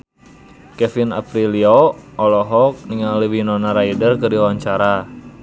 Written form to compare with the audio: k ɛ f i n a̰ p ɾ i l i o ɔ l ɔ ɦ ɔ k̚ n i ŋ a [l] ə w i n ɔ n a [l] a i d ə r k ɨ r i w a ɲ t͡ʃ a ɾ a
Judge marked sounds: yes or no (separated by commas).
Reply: yes, no